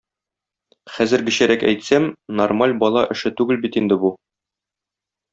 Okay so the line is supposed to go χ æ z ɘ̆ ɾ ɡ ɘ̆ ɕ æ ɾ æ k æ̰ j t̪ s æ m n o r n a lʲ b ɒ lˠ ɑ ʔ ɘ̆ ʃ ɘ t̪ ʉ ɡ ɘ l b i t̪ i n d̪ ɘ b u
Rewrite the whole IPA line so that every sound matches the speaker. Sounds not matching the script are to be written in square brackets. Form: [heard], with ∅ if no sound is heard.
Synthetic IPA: χ æ z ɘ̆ ɾ ɡ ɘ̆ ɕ æ ɾ æ k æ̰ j t̪ s æ m n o r [m] a lʲ b ɒ lˠ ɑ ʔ ɘ̆ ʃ ɘ t̪ ʉ ɡ ɘ l b i t̪ i n d̪ ɘ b u